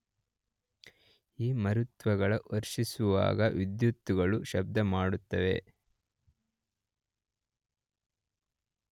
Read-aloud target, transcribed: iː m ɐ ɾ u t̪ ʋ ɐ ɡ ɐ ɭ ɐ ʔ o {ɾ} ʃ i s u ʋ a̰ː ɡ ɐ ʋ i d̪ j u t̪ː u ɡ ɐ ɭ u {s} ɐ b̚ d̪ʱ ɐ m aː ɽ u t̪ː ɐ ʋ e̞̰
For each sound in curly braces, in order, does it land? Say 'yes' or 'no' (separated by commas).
yes, no